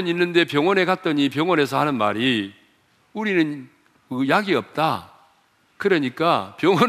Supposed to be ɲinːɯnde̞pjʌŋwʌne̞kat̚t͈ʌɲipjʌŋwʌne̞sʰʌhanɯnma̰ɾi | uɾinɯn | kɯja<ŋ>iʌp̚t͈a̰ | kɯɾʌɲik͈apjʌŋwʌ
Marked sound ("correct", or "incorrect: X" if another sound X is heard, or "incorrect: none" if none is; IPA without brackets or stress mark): incorrect: ɡ